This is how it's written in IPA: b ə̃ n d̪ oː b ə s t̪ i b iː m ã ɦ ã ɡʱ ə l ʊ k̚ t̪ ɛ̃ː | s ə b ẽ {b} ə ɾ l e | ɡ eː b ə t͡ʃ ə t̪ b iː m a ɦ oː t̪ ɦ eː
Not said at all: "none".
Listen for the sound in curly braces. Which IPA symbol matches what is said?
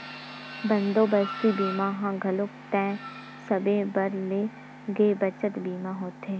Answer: b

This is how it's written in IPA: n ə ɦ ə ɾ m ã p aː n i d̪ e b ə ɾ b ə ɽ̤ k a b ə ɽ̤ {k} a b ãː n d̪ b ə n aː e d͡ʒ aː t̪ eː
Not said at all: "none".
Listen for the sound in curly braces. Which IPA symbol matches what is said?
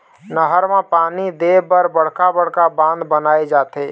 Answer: k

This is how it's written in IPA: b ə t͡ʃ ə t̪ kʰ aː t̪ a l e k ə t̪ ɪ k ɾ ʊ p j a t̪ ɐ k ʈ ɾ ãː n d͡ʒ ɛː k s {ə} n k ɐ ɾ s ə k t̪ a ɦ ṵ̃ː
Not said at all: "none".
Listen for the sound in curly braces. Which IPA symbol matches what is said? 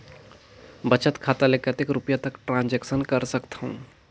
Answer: ə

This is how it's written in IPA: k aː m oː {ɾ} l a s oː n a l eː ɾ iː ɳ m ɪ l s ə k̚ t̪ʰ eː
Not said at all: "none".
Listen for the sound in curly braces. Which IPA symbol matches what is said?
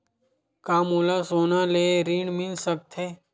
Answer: none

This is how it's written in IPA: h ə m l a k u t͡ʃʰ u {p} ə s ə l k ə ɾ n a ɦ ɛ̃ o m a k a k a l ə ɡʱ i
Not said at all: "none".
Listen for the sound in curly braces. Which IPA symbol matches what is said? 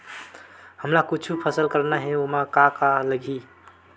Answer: pʰ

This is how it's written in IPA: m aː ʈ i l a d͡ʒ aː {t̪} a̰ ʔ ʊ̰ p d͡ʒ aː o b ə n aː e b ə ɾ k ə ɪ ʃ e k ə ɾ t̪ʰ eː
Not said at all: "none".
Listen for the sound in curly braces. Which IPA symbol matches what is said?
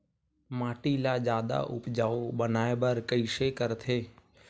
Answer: d̪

